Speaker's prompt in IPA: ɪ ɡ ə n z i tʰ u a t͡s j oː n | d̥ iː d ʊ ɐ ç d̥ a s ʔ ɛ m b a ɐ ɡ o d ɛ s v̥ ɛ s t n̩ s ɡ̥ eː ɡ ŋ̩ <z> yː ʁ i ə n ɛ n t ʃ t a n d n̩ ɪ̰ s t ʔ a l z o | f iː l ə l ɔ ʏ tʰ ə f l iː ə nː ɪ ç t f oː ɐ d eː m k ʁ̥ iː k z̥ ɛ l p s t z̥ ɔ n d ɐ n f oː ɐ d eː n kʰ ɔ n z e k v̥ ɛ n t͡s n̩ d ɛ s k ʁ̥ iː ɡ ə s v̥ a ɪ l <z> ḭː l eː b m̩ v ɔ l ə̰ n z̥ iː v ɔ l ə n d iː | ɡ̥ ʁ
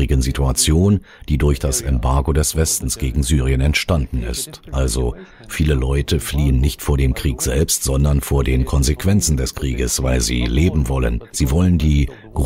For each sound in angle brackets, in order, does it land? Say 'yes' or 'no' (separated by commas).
yes, yes